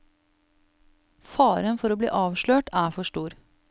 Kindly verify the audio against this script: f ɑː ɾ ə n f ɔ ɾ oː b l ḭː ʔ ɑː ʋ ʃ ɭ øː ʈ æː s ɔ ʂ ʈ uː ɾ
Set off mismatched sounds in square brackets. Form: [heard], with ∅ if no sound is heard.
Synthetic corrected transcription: f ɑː ɾ ə n f ɔ ɾ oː b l ḭː ʔ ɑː ʋ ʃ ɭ øː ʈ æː [f] ɔ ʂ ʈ uː ɾ